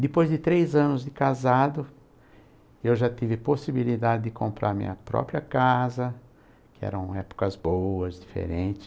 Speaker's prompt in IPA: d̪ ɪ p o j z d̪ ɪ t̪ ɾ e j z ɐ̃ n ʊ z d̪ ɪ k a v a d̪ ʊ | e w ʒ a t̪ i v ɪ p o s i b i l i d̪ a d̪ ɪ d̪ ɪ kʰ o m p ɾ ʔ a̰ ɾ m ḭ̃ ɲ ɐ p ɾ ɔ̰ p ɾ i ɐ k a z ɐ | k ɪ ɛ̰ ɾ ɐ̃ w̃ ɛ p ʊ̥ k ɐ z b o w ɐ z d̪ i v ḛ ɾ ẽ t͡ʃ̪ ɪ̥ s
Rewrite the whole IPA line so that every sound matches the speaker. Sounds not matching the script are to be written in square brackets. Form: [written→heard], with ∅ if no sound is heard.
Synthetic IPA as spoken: d̪ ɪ p o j z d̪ ɪ t̪ ɾ e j z ɐ̃ n ʊ z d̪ ɪ k a [v→z] a d̪ ʊ | e w ʒ a t̪ i v ɪ p o s i b i l i d̪ a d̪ ɪ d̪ ɪ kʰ [o→õ] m p ɾ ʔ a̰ ɾ m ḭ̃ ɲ ɐ p ɾ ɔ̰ p ɾ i ɐ k a z ɐ | k ɪ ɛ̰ ɾ ɐ̃ w̃ ɛ p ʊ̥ k ɐ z b o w ɐ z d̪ i [v→f] ḛ ɾ ẽ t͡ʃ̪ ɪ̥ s

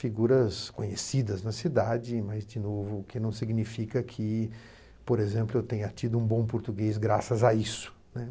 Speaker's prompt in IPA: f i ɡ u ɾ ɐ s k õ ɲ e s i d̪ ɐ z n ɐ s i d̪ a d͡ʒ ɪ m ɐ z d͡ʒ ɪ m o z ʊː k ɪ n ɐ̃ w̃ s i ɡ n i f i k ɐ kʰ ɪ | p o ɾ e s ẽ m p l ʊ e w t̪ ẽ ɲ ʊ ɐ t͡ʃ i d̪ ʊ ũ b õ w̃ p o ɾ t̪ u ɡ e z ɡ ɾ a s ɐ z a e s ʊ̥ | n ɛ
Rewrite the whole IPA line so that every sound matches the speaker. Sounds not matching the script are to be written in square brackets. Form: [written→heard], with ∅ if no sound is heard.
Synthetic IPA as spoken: f i ɡ u ɾ ɐ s k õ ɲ e s i d̪ ɐ z n ɐ s i d̪ a d͡ʒ ɪ m ɐ z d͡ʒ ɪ [m→n] o [z→v] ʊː k ɪ n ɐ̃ w̃ s i ɡ n i f i k ɐ kʰ ɪ | p o ɾ e [s→z] ẽ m p l ʊ e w t̪ ẽ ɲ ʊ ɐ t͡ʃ i d̪ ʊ ũ b õ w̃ p o ɾ t̪ u ɡ e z ɡ ɾ a s ɐ z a [e→i] s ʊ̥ | n ɛ

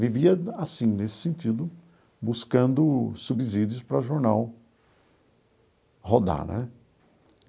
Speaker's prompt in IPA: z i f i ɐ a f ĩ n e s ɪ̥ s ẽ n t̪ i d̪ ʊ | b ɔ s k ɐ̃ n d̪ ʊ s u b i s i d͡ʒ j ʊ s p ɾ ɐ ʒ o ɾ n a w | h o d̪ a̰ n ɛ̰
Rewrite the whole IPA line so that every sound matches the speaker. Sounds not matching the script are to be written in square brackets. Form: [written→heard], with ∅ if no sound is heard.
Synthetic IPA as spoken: [z→v] i [f→v] i ɐ a [f→s] ĩ n e s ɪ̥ s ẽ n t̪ i d̪ ʊ | b [ɔ→u] s k ɐ̃ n d̪ ʊ s u b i [s→z] i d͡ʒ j ʊ s p ɾ ɐ ʒ o ɾ n a w | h o d̪ a̰ n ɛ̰

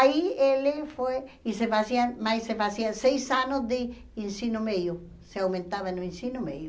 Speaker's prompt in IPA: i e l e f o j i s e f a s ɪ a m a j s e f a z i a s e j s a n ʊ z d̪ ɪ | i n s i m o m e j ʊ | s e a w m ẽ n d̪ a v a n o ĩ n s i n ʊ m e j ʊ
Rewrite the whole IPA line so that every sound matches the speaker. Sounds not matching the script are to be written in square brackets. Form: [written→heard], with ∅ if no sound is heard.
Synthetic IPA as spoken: i e l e f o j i s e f a s [ɪ→i] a m a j s e f a [z→s] i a s e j s a n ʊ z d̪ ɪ | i n s i [m→n] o m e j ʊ | s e a w m ẽ n [d̪→t̪] a [v→β] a n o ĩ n s i n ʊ m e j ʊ

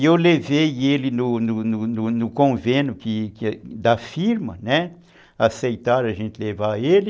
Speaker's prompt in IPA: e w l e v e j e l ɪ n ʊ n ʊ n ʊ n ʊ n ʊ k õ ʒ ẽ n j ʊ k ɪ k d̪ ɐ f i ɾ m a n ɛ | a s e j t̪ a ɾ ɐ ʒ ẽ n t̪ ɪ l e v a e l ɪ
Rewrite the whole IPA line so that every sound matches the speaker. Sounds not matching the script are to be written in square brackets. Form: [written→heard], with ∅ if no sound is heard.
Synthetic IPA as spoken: e w l e v e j e l ɪ n ʊ n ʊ n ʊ n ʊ n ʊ k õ [ʒ→v] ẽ n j ʊ k ɪ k d̪ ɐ f i ɾ m [a→ɐ] n ɛ | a s e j t̪ a ɾ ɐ ʒ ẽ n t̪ ɪ l e v a e l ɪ

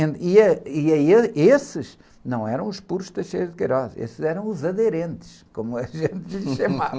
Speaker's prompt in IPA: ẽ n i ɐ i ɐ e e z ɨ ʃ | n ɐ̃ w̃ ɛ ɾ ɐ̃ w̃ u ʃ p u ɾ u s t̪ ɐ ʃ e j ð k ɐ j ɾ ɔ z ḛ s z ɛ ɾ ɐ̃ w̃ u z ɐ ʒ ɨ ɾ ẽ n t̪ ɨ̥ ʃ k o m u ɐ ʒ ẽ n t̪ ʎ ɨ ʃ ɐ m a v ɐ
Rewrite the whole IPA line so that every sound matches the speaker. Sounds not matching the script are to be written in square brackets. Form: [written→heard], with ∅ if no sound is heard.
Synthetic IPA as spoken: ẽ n i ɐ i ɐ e e [z→s] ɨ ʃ | n ɐ̃ w̃ ɛ ɾ ɐ̃ w̃ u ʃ p u ɾ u [s→ʃ] t̪ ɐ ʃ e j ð k ɐ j ɾ ɔ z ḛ s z ɛ ɾ ɐ̃ w̃ u z ɐ [ʒ→ð] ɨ ɾ ẽ n t̪ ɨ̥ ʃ k o m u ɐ ʒ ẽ n t̪ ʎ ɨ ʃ ɐ m a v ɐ

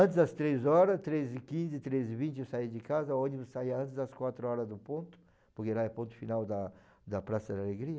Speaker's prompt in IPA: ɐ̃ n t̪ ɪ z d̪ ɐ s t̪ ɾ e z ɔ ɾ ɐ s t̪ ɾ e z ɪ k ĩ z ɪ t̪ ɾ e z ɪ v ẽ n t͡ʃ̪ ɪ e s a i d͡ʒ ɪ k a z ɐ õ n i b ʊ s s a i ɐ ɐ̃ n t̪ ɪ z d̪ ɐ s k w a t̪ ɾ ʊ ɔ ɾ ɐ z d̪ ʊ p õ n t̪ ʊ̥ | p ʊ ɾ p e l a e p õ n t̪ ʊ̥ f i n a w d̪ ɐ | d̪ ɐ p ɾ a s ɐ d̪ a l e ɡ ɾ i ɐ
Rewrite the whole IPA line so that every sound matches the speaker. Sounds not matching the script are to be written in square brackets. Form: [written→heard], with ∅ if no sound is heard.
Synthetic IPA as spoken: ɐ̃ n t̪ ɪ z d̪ ɐ s t̪ ɾ e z ɔ ɾ ɐ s t̪ ɾ e z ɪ k ĩ z ɪ t̪ ɾ e z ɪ v [ẽ→ĩ] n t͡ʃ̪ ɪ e s a i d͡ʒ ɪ k a z ɐ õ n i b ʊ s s a i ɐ ɐ̃ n t̪ ɪ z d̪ ɐ s k w a t̪ ɾ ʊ ɔ ɾ ɐ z d̪ ʊ p õ n t̪ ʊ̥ | p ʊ ɾ [p→k] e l a [e→ɛ] p õ n t̪ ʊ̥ f i n a w d̪ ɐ | d̪ ɐ p ɾ a s ɐ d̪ a l e ɡ ɾ i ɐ

